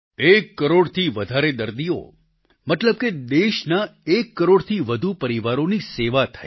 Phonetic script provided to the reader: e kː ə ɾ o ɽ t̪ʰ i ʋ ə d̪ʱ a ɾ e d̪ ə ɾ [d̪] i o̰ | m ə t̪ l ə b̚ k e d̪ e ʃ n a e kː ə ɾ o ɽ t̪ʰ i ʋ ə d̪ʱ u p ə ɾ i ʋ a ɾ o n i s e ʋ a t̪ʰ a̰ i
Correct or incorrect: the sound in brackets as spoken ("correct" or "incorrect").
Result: correct